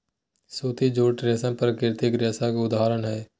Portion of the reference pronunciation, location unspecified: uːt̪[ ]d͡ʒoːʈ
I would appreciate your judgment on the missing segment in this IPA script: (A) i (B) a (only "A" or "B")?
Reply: A